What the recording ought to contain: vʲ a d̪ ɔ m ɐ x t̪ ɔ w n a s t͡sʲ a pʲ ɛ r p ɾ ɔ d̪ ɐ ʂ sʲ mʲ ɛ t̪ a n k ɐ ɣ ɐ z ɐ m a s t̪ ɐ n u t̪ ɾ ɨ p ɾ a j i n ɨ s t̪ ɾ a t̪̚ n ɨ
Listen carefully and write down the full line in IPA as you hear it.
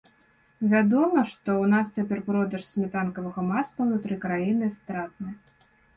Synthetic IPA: vʲ a d̪ ɔ m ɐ ʂ t̪ ɔ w n a s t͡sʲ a pʲ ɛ r p ɾ ɔ d̪ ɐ ʂ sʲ mʲ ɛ t̪ a n k ɐ v ɐ ɣ ɐ m a s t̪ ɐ n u t̪ ɾ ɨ k ɾ a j i n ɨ s t̪ ɾ a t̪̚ n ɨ